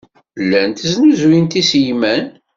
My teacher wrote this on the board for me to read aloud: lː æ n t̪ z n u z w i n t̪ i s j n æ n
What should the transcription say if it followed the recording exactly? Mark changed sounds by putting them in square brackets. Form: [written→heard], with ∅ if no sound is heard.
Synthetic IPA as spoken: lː æ n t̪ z n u z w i n t̪ i s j [n→m] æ n

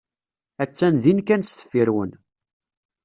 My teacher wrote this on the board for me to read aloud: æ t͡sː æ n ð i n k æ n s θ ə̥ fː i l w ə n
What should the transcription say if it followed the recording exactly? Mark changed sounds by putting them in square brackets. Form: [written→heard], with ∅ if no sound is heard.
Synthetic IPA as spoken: æ t͡sː æ n ð i n k æ n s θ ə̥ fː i [l→ɾ] w ə n

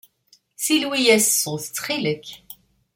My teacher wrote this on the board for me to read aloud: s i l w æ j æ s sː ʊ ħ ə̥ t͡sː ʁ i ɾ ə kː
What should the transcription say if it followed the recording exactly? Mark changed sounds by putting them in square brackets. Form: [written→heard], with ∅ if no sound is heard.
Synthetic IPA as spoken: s i l w [æ→i] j æ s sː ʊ [ħ→θ] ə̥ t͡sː [ʁ→χ] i [ɾ→l] ə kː

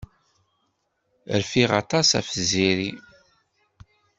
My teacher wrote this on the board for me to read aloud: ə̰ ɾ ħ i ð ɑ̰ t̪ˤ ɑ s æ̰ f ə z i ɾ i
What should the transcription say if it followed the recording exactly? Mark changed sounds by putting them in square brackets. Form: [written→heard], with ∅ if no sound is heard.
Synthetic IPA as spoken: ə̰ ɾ [ħ→f] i [ð→ʁ] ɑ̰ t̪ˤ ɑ s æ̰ f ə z i ɾ i

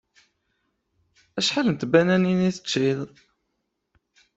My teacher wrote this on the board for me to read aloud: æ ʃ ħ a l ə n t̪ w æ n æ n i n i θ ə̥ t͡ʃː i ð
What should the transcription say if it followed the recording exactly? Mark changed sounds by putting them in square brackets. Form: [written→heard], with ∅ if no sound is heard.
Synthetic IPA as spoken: æ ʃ ħ a l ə n t̪ [w→b] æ n æ n i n i θ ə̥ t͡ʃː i ð

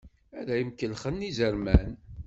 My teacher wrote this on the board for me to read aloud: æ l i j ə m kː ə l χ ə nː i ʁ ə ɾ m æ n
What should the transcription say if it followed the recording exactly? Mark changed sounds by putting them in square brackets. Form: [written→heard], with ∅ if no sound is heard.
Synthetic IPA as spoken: æ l [i→æ] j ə m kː ə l χ ə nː i [ʁ→z] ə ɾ m æ n

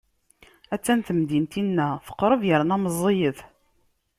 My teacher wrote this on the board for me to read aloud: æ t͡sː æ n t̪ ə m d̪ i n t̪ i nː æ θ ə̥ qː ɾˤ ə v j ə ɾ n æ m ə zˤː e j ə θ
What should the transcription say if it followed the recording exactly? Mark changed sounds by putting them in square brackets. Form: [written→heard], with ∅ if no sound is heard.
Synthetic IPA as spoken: æ t͡sː æ n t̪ ə m d̪ i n t̪ i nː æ θ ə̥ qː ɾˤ ə v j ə ɾ n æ m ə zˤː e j ə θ

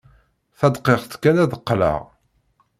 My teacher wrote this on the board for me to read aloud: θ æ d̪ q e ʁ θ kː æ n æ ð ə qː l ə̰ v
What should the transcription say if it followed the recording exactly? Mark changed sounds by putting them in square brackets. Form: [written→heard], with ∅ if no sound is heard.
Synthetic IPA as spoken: θ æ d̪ q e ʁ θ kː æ n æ ð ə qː l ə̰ [v→ʁ]

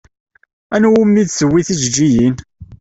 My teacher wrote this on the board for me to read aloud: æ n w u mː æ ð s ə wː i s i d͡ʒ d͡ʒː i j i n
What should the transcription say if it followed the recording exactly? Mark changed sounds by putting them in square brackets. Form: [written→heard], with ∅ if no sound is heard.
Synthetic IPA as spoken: æ n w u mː [æ→i] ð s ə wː i [s→θ] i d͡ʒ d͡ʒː i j i n

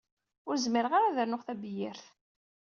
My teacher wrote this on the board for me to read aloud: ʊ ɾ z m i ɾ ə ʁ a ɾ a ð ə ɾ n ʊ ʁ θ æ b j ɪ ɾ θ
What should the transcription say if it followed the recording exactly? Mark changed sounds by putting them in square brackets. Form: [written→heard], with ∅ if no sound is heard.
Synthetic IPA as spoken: ʊ ɾ z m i ɾ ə ʁ a ɾ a ð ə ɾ n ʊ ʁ θ æ b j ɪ ɾ θ

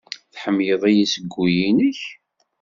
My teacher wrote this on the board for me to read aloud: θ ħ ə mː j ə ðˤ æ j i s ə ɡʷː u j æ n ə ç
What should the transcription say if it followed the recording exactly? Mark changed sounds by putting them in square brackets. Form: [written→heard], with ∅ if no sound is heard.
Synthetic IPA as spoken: θ ħ ə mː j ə ðˤ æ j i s ə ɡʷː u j [æ→i] n ə ç

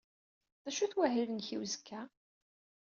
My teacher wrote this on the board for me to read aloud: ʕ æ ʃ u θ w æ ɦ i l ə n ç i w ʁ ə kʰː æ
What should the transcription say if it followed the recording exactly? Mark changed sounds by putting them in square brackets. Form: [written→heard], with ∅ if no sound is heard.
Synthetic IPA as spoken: [ʕ→ð] æ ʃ u θ w æ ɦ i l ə n ç i w [ʁ→z] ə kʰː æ

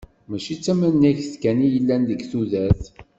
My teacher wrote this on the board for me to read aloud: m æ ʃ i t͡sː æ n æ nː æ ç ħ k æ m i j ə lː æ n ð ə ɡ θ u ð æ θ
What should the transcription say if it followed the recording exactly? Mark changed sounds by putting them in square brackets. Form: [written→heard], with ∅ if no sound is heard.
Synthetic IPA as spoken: m æ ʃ i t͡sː æ [n→m] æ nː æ ç [ħ→θ] k æ [m→n] i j ə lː æ n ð ə ɡ θ u ð æ θ

